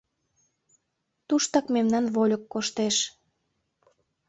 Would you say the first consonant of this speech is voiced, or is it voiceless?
voiceless